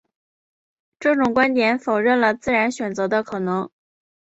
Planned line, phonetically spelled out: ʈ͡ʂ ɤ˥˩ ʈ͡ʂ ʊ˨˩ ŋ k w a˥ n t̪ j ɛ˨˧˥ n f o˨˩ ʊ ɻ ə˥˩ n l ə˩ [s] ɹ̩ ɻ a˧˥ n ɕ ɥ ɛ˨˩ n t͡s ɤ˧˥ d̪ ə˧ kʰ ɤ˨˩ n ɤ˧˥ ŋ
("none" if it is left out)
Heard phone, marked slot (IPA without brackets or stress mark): t͡s